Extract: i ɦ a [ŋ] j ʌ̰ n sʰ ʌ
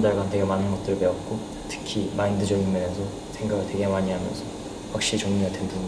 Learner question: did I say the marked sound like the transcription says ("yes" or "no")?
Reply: no